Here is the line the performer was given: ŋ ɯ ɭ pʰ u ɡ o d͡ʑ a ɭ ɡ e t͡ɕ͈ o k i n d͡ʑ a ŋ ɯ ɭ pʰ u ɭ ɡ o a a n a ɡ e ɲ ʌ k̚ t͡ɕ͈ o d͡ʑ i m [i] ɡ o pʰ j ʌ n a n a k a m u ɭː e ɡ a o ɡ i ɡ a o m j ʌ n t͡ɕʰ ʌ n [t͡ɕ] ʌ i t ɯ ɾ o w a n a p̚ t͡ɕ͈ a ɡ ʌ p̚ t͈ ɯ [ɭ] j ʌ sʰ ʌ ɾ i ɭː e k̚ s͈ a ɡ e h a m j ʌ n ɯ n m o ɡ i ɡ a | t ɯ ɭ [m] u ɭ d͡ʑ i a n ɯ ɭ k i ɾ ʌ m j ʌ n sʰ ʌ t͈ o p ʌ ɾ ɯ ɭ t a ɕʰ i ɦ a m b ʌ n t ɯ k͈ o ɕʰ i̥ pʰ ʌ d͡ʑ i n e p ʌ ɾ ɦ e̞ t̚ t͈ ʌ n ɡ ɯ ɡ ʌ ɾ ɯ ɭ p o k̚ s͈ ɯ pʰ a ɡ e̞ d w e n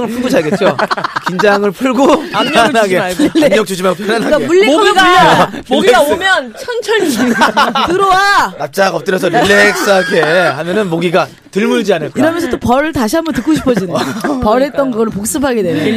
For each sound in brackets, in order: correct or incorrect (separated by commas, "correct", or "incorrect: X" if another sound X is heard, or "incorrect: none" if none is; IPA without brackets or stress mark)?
incorrect: a, incorrect: t͡ɕʰ, incorrect: ɾ, correct